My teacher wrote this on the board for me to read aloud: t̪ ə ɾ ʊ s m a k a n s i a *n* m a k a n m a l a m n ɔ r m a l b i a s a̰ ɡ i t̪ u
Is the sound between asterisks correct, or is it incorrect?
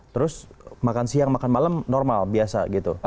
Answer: incorrect: ŋ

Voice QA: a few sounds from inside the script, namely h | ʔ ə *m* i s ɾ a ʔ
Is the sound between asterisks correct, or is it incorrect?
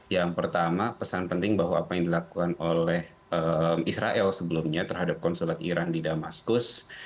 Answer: correct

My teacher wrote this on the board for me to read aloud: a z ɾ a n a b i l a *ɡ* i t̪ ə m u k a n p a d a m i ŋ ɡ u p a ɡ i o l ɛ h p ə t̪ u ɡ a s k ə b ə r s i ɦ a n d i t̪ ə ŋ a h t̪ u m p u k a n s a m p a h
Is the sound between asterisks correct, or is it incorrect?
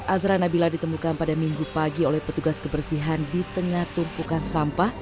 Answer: incorrect: d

